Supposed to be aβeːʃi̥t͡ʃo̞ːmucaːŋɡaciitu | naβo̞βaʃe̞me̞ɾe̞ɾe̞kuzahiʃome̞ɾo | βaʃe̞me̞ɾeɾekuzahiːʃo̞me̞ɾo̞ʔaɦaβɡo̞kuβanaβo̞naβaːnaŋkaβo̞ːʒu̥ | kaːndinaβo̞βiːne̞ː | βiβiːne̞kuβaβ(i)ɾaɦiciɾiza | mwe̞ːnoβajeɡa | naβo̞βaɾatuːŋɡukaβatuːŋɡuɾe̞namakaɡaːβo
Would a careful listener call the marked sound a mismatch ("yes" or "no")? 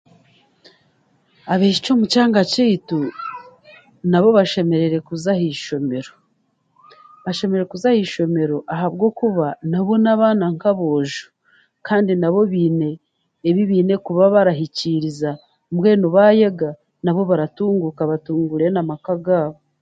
yes